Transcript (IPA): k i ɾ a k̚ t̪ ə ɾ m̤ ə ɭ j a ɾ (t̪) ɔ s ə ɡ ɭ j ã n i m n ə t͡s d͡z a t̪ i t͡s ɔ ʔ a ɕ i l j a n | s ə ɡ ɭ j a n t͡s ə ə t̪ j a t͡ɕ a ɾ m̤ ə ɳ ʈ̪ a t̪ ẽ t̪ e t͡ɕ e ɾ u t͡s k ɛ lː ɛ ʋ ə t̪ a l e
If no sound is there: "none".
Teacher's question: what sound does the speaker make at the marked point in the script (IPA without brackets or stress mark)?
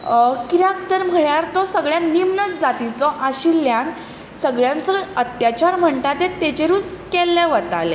t̪